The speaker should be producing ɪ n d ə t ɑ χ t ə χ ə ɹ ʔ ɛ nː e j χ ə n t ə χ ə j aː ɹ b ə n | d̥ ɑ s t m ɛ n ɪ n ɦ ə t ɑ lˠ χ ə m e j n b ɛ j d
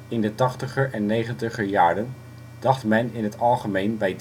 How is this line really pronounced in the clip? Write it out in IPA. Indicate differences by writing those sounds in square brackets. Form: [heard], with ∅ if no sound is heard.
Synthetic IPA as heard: ɪ n d ə t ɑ χ t ə χ ə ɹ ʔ ɛ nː e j χ ə n t ə χ ə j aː ɹ [d] ə n | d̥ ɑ [χ] t m ɛ n ɪ n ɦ ə t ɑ lˠ χ ə m e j n b ɛ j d

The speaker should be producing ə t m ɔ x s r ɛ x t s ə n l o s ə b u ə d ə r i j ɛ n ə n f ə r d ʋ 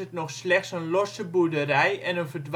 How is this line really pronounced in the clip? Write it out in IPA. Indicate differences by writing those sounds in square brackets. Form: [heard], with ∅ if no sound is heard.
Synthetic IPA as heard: ə t [n] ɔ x s [l] ɛ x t s ə n l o s ə b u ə d ə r [ɛ] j ɛ n ə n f ə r d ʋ

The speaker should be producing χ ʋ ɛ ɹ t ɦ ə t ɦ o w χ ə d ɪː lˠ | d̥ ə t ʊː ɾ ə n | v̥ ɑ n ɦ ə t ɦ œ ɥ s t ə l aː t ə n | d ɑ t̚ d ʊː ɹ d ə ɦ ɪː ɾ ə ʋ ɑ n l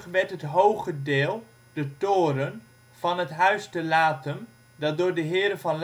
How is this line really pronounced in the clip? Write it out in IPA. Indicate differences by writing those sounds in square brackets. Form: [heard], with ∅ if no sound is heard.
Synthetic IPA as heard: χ ʋ ɛ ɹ t ɦ ə t ɦ o w χ ə d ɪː lˠ | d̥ ə t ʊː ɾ ə n | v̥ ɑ n ɦ ə t ɦ œ ɥ s t ə l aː t ə n | d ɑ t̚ d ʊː ɹ d ə ɦ ɪː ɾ ə [v] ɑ n l

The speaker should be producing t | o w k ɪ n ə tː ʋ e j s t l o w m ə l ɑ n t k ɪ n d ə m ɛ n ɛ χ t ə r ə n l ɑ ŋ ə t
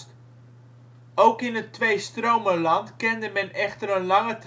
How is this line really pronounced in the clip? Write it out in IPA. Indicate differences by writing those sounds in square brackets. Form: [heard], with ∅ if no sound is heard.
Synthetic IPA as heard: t | o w k ɪ n ə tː ʋ e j s t [r] o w m ə l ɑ n t k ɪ n d ə m ɛ n ɛ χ t ə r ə n l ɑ ŋ ə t

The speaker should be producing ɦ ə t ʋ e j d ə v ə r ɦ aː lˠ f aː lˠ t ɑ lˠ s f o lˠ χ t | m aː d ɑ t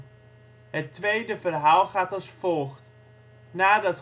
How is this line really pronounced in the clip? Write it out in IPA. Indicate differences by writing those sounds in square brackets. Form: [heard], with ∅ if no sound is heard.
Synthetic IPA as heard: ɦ ə t ʋ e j d ə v ə r ɦ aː lˠ [χ] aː [∅] t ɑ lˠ s f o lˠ χ t | [n] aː d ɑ t

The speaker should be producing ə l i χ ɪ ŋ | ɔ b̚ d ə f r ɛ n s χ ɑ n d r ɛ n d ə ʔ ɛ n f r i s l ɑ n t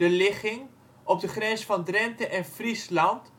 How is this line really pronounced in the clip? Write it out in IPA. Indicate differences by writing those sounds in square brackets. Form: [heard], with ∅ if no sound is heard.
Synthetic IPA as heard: ə l [ɪ] χ ɪ ŋ | ɔ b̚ d ə [χ] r ɛ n s [f] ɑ n d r ɛ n [t] ə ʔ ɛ n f r i s l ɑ n t

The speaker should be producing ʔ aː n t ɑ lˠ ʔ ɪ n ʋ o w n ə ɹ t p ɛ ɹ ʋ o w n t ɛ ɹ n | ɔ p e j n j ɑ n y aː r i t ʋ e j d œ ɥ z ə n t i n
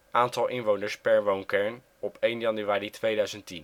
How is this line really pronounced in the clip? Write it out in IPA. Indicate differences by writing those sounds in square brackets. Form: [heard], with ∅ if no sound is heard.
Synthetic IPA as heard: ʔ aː n t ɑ lˠ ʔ ɪ n ʋ o w n ə ɹ [s] p ɛ ɹ ʋ o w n [k] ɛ ɹ n | ɔ p e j n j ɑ n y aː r i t ʋ e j d œ ɥ z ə n t i n

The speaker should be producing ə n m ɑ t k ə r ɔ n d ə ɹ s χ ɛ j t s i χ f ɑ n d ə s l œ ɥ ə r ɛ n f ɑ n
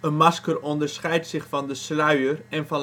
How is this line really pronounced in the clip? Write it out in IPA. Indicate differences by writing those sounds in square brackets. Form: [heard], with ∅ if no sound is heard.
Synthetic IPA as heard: ə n m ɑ [s] k ə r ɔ n d ə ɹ s χ ɛ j t s [ɪ] χ f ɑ n d ə s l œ ɥ ə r ɛ n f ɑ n

